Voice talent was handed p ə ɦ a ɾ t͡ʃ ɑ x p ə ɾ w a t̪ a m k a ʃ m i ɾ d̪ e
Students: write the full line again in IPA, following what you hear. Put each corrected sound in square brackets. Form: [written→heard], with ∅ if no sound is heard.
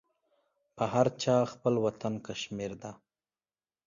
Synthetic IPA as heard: p ə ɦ a ɾ t͡ʃ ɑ x p ə [ɾ→l] w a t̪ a [m→n] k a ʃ m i ɾ d̪ [e→a]